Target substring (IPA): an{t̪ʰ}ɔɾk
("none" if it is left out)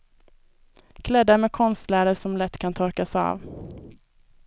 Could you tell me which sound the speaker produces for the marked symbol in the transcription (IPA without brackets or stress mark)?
t̪ʰ